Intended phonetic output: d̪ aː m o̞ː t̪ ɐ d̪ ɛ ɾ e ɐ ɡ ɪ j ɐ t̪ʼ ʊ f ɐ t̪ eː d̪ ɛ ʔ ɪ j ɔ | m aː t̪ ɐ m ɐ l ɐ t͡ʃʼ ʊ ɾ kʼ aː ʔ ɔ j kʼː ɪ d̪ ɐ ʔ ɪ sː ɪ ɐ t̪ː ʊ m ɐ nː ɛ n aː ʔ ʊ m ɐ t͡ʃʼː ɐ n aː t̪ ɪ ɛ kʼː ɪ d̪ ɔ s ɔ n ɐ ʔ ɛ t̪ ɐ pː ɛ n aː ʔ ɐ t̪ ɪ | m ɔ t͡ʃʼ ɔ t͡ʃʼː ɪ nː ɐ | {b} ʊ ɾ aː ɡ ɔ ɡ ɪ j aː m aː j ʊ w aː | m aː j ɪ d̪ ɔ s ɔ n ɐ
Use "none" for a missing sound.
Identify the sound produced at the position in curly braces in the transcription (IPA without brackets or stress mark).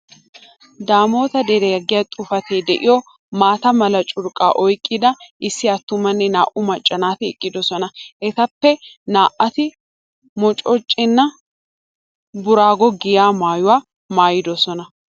b